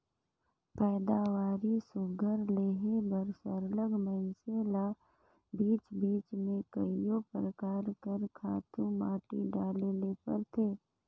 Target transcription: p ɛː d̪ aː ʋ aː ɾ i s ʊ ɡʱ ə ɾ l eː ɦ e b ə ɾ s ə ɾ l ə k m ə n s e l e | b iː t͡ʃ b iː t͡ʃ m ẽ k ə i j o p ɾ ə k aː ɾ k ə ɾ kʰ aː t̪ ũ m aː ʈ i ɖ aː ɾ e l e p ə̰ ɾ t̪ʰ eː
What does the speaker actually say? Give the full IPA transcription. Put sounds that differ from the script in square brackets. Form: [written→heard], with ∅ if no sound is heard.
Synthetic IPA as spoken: p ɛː d̪ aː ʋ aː ɾ i s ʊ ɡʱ ə ɾ l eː ɦ e b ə ɾ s ə ɾ l ə [k→ɡ] m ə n s e l [e→a] | b iː t͡ʃ b iː t͡ʃ m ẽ k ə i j o p ɾ ə k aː ɾ k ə ɾ kʰ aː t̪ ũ m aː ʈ i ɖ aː [ɾ→l] e l e p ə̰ ɾ t̪ʰ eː